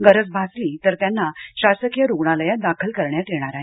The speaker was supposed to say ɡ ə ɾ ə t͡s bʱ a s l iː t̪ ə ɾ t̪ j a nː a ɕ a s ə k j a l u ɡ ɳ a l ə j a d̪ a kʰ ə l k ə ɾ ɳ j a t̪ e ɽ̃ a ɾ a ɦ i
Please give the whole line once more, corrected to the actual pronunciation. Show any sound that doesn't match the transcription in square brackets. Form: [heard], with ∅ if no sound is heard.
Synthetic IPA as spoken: ɡ ə ɾ ə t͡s bʱ a s l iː t̪ ə ɾ t̪ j a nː a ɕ a s ə k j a [ɾ] u ɡ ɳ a l ə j a d̪ a kʰ ə l k ə ɾ ɳ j a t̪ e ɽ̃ a ɾ a ɦ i